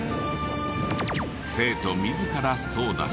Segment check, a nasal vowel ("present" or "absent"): absent